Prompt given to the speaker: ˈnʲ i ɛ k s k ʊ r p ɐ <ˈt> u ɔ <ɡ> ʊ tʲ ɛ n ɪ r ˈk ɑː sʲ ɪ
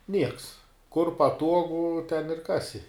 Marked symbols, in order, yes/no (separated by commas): yes, yes